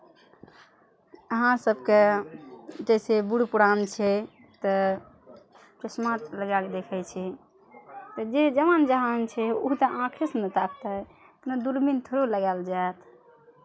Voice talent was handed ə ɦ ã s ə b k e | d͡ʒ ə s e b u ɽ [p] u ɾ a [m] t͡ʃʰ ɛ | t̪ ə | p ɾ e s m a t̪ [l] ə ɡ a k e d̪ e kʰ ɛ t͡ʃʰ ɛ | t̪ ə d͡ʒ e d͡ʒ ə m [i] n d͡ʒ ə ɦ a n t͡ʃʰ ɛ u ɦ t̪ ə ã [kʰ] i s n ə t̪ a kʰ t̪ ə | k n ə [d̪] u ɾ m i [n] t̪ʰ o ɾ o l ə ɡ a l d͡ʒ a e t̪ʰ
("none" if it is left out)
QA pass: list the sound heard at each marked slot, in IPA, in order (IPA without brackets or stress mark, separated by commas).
p, n, l, a, kʰ, d̪, n